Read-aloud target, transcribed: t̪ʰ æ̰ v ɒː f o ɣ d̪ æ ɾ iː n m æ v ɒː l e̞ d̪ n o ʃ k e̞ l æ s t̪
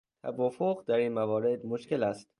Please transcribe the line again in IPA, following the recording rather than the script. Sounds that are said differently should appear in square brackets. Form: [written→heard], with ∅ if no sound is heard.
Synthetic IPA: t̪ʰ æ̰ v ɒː f o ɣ d̪ æ ɾ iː n m æ v ɒː [l→ɾ] e̞ d̪ [n→m] o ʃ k e̞ l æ s t̪